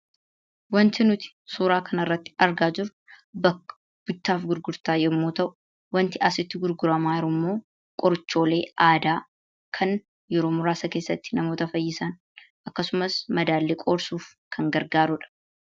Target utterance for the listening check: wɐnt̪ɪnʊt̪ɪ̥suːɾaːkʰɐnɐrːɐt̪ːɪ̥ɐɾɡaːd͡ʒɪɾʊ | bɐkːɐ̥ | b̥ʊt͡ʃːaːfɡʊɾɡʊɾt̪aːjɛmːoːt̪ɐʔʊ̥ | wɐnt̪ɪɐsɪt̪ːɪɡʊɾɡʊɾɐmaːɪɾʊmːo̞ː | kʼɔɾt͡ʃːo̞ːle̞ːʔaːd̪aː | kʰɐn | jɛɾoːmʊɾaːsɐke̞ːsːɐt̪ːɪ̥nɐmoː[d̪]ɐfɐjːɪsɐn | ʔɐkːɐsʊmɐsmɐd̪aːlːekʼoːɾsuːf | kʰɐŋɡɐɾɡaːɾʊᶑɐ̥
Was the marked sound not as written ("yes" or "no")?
yes